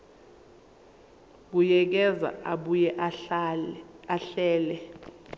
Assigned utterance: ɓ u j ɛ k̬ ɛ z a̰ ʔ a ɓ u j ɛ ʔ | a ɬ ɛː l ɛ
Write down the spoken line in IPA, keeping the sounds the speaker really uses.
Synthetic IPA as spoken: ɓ u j ɛ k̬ ɛ z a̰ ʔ a ɓ u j ɛ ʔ | a ɬ ɛː l ɛ

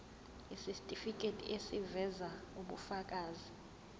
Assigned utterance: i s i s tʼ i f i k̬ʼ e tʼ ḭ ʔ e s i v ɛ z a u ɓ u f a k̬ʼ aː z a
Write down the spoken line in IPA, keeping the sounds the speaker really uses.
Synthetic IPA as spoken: i s i s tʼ i f i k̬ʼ e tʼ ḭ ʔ e s i v ɛ z a u ɓ u f a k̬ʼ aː z i

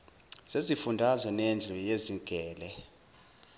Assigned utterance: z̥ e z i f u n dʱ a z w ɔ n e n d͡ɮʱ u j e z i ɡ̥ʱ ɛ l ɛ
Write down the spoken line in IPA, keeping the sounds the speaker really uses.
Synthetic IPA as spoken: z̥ e z i f u n dʱ a z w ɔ n e n d͡ɮʱ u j e z i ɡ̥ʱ ɛː l ɛ

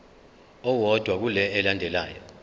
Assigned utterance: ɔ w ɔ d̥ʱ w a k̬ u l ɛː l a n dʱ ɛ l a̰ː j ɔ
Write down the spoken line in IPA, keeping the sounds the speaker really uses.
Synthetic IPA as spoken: ɔ w ɔ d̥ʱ w a k̬ u l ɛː l a n dʱ ɛ l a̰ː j ɔ

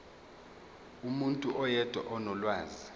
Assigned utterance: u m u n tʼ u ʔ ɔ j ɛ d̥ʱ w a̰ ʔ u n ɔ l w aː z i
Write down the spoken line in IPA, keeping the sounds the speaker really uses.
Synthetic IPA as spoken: u m u n tʼ u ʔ ɔ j ɛ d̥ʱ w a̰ ʔ ɔ n ɔ l w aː z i

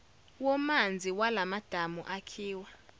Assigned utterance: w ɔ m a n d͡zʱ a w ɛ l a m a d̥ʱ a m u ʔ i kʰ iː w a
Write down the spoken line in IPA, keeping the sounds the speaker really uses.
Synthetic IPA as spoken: w ɔ m a n d͡zʱ i w a l a m a d̥ʱ a m u ʔ a kʰ iː w a

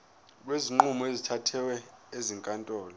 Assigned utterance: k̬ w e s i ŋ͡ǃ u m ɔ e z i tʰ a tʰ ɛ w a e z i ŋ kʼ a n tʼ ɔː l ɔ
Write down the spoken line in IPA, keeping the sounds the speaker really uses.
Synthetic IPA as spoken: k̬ w e z i ŋ͡ǃ u m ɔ e z i tʰ a tʰ ɛ w ɛ e z i ŋ kʼ a n tʼ ɔː l ɔ

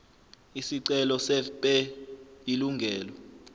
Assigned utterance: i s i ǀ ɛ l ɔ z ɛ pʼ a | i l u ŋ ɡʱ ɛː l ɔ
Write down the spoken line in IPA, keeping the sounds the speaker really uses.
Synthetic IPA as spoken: i s i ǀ ɛ l ɔ s ɛ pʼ ɛ | i l u ŋ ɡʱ ɛː l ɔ

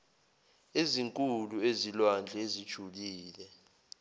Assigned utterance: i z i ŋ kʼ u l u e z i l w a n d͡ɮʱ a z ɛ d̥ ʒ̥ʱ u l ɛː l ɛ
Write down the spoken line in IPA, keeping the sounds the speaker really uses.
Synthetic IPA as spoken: e z i ŋ kʼ u l u e z i l w a n d͡ɮʱ e z i d̥ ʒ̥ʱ u l iː l ɛ

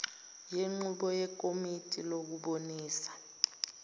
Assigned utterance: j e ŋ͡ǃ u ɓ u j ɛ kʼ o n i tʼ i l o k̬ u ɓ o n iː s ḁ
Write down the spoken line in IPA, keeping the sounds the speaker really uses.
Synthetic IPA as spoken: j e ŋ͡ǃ u ɓ ɔ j ɛ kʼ o m i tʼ i l o k̬ u ɓ o n iː s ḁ

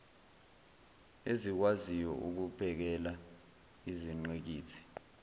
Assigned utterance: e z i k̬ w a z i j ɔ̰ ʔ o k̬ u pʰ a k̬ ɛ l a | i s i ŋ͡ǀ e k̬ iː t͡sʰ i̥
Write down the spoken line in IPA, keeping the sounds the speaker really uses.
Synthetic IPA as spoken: e z i k̬ w a z i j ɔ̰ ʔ u k̬ u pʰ ɛ k̬ ɛ l a | i z i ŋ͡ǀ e k̬ iː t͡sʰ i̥

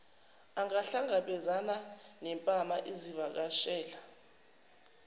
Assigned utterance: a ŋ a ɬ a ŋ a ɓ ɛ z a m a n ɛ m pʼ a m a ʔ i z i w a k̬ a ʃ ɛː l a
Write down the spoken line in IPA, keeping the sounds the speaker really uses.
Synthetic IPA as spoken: a ŋ a ɬ a ŋ a ɓ ɛ z a n a n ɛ m pʼ a m a ʔ i z i v a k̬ a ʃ ɛː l a

